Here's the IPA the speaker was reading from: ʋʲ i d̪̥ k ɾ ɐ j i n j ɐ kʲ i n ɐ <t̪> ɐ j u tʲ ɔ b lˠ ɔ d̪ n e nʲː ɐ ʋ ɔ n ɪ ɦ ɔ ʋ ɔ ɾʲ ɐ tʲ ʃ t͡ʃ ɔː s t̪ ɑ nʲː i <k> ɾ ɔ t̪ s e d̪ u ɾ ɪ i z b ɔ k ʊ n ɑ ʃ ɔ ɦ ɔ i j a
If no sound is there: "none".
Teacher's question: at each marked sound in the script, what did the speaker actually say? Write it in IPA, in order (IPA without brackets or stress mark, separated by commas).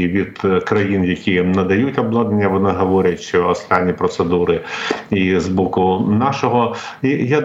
d̪, p